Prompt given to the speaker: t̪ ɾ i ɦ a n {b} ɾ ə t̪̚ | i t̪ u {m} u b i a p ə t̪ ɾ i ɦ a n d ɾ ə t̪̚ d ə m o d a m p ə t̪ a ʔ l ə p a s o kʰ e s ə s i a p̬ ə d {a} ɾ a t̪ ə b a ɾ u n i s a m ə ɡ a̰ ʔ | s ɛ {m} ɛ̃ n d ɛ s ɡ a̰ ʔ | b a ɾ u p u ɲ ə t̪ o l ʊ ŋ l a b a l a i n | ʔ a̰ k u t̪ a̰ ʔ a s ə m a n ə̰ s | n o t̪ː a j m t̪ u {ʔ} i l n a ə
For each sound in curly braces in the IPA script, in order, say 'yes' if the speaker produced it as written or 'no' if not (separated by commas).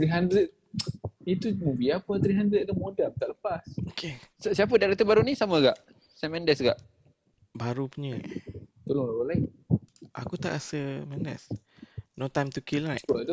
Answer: no, yes, yes, yes, no